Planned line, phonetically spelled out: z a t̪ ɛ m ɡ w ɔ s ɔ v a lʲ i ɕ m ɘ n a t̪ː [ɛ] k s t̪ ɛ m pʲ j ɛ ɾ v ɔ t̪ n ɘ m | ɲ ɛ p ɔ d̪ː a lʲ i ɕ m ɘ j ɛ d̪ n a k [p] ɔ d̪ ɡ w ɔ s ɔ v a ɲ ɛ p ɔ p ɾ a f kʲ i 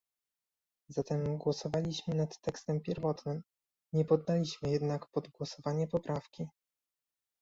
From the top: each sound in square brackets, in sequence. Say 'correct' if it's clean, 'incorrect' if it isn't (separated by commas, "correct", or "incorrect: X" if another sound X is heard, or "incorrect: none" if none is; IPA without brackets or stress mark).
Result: correct, correct